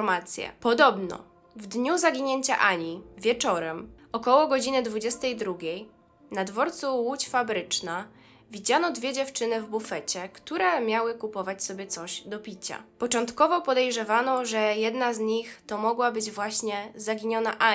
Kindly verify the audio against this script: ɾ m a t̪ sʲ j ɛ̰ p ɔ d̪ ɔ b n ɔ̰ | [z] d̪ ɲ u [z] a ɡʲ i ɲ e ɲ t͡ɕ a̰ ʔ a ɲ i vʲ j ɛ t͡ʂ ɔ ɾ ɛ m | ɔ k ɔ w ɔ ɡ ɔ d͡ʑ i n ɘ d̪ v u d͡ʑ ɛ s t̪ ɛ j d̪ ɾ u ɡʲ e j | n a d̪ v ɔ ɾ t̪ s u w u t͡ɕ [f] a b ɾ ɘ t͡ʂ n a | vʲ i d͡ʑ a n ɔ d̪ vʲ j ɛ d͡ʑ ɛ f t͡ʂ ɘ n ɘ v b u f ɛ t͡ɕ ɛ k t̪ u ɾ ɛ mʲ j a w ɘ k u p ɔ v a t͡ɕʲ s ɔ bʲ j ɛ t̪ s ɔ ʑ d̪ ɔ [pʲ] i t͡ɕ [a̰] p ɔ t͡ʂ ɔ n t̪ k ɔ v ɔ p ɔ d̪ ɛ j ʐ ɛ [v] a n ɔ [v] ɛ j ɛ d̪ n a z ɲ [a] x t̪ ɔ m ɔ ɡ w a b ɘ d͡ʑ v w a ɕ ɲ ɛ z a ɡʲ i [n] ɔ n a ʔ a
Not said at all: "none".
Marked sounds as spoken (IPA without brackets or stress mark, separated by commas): v, z, f, pʲ, a̰, v, ʐ, i, ɲ